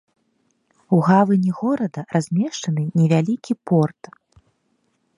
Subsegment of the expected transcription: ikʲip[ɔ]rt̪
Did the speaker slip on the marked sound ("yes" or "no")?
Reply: no